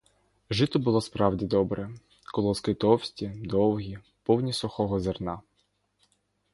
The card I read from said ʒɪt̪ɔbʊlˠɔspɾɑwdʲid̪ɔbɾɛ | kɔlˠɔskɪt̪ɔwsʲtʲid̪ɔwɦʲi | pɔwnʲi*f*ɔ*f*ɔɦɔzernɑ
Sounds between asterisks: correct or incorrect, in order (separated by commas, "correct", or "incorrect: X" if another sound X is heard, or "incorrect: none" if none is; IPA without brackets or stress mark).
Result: incorrect: s, incorrect: x